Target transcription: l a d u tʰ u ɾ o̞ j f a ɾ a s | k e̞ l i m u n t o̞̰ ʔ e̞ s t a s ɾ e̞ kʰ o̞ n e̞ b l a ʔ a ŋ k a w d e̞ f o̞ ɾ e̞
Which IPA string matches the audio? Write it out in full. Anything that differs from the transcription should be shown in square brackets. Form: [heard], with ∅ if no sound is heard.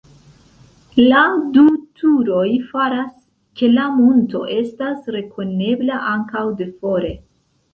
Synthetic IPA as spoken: l a d u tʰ u ɾ o̞ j f a ɾ a s | k e̞ l [a] m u n t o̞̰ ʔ e̞ s t a s ɾ e̞ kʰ o̞ n e̞ b l a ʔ a ŋ k a w d e̞ f o̞ ɾ e̞